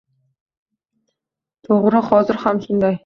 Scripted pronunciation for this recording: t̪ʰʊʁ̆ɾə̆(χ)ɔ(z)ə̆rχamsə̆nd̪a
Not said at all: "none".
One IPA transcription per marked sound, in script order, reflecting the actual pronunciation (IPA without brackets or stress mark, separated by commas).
χ, z